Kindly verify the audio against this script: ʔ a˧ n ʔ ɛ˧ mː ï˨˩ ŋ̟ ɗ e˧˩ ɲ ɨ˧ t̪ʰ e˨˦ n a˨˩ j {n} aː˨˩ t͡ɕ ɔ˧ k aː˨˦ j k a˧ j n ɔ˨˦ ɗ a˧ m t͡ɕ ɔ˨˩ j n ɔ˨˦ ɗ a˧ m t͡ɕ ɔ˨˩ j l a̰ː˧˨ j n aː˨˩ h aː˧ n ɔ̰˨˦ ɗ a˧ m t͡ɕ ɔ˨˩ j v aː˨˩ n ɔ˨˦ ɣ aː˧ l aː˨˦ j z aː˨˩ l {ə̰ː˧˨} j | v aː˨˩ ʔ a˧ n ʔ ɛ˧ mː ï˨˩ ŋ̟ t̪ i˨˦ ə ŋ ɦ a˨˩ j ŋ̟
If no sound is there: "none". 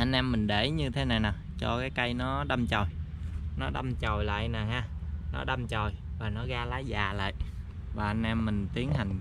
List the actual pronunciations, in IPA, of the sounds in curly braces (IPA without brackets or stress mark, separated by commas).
n, a̰ː˧˨